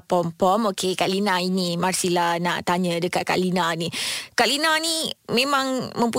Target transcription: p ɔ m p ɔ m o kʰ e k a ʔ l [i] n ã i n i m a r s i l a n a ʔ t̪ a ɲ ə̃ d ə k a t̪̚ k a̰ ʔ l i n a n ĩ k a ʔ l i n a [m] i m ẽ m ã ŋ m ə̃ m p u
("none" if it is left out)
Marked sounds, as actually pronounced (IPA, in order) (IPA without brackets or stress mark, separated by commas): i, n